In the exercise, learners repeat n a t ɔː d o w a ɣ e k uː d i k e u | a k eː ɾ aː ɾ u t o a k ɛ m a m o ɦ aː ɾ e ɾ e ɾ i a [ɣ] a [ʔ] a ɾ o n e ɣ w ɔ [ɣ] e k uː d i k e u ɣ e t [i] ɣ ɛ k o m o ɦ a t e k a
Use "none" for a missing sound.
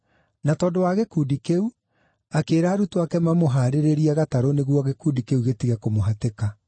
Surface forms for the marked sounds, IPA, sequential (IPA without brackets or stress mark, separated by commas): ɣ, t, ɣ, i